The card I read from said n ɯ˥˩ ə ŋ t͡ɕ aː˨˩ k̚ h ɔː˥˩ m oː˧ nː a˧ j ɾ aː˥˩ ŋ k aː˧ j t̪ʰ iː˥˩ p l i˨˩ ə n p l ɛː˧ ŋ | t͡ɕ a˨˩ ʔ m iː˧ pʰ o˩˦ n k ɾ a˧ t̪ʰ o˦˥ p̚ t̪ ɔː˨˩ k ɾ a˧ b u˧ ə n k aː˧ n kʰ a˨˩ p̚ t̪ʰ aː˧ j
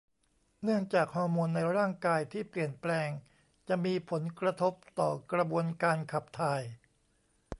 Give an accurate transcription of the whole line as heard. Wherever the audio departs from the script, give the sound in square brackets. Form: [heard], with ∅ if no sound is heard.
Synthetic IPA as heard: n ɯ˥˩ ə ŋ t͡ɕ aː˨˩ k̚ h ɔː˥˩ m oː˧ nː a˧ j ɾ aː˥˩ ŋ k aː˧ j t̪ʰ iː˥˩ p l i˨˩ ə n p l ɛː˧ ŋ | t͡ɕ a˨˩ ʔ m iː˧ pʰ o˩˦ n k ɾ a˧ t̪ʰ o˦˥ p̚ t̪ ɔː˨˩ k ɾ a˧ b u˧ ə n k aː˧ n kʰ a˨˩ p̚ t̪ʰ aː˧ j